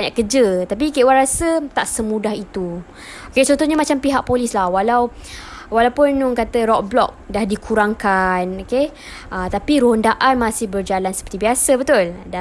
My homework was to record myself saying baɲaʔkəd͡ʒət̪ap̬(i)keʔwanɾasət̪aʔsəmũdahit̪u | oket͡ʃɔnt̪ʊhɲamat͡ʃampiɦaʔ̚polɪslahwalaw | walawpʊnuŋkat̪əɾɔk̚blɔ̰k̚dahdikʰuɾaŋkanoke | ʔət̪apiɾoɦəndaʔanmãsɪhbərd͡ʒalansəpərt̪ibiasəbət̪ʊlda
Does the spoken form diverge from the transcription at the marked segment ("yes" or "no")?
no